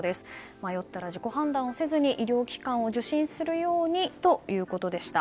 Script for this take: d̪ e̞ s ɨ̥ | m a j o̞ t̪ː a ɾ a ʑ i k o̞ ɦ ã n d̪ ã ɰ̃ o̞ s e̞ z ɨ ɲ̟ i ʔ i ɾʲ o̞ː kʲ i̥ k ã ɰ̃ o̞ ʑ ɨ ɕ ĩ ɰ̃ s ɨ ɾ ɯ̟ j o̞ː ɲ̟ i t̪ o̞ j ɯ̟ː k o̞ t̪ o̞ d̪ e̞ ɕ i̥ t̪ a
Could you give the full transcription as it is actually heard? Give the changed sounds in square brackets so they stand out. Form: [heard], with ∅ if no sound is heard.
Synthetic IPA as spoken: d̪ e̞ s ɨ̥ | m a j o̞ t̪ː a ɾ a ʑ i k o̞ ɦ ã n d̪ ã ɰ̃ o̞ s e̞ z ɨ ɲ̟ i ʔ i ɾʲ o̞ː kʲ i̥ k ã ɰ̃ o̞ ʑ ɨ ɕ ĩ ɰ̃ s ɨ ɾ ɯ̟ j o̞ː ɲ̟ i t̪ o̞ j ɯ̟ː k o̞ t̪ o̞ d̪ e̞ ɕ i̥ t̪ a